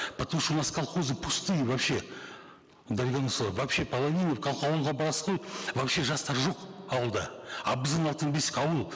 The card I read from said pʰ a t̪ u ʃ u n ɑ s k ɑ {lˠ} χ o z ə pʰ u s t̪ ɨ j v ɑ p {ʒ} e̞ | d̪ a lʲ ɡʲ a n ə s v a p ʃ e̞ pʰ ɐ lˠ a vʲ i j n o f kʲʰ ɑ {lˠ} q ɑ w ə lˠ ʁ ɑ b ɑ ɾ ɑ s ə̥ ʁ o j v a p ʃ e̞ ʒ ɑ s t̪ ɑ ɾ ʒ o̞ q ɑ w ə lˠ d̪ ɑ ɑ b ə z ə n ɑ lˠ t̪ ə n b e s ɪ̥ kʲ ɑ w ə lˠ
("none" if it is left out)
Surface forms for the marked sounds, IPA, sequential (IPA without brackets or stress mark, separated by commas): lˠ, ʃ, lˠ